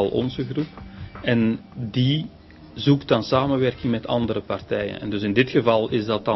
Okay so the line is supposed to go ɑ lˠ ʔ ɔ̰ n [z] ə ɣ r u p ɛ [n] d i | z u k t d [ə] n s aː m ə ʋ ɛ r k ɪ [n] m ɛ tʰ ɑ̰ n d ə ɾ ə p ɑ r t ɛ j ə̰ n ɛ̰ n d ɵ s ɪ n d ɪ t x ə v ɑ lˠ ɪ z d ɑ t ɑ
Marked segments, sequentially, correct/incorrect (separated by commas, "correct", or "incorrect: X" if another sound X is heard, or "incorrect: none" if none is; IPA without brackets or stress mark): correct, correct, incorrect: ɑ, incorrect: ŋ